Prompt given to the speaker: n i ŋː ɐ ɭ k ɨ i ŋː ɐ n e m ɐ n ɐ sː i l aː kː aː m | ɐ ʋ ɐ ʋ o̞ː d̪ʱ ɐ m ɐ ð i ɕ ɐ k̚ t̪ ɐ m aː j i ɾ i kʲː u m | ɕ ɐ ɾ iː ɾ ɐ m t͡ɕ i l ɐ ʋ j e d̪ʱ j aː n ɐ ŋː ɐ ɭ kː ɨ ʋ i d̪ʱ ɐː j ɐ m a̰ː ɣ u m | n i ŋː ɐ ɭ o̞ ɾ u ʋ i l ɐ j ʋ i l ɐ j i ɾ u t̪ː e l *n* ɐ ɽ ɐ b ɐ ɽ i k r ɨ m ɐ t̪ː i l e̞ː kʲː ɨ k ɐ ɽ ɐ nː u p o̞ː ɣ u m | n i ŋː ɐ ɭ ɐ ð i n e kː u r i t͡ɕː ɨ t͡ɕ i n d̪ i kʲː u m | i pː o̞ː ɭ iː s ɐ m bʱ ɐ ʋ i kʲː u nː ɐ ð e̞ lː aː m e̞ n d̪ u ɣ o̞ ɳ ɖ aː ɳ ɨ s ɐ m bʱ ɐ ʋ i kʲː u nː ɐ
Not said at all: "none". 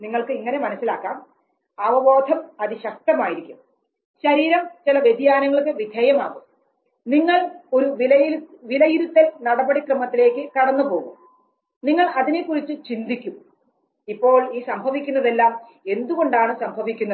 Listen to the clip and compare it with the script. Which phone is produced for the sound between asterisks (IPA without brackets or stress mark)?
n